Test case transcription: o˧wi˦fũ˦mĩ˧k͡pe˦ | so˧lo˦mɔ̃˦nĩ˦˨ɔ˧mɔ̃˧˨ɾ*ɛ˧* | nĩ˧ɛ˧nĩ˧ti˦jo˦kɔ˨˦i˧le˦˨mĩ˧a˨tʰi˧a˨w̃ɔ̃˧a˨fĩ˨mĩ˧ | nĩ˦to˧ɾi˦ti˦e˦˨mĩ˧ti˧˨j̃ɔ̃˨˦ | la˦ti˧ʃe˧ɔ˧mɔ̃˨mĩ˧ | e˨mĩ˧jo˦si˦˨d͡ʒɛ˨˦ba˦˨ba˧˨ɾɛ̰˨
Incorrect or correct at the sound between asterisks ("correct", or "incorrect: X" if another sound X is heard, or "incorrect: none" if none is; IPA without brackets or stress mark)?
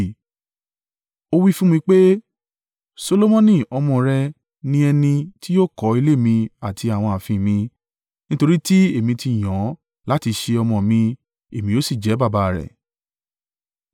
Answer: correct